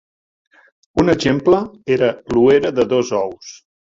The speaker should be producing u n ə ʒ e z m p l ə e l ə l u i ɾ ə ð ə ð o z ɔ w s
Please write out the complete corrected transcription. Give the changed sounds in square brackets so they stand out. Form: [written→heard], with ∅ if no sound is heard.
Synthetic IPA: u n ə ʒ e [z→∅] m p l ə e [l→ɾ] ə l u [i→e] ɾ ə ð ə ð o z ɔ w s